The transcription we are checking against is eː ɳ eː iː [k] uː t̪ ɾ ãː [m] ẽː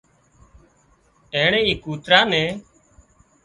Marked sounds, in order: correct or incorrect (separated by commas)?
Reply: correct, incorrect